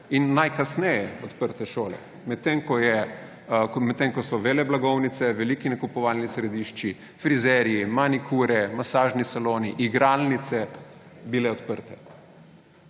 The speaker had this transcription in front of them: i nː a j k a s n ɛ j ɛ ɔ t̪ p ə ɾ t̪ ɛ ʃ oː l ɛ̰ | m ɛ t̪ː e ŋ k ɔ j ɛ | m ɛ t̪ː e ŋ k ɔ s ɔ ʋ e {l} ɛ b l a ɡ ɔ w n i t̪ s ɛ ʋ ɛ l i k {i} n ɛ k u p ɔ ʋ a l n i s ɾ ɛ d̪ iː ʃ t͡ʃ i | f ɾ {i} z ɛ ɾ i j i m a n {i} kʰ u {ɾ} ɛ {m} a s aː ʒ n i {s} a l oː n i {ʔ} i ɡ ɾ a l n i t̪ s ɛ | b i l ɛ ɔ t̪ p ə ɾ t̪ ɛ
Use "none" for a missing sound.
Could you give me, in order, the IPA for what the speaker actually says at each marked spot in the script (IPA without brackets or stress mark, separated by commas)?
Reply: l, i, i, i, ɾ, m, s, ʔ